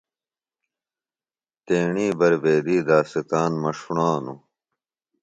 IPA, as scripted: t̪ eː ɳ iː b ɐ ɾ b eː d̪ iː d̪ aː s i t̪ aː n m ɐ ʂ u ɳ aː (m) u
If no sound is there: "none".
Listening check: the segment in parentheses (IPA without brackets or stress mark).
n